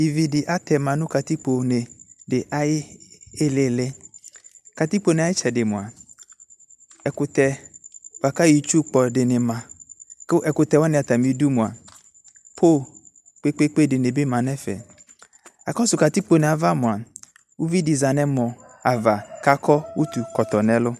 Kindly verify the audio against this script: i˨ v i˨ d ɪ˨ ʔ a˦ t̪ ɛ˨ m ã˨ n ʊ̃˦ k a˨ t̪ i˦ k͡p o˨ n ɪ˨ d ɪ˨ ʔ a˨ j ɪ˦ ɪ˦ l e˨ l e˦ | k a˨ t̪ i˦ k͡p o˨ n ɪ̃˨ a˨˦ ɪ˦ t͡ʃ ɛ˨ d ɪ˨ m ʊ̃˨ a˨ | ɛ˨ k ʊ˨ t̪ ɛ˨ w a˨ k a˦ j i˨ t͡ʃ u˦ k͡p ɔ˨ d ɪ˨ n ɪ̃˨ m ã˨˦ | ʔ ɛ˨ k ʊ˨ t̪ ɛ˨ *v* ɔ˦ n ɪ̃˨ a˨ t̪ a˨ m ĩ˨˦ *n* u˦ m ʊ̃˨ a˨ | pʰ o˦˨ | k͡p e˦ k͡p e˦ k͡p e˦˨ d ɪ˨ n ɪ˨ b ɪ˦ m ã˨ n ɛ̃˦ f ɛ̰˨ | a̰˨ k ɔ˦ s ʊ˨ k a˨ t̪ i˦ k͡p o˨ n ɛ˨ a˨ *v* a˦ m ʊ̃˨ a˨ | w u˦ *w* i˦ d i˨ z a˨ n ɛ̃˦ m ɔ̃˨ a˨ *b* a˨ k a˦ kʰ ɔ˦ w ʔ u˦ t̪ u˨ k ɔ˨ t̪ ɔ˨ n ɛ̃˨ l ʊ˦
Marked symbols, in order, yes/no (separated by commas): no, no, yes, no, no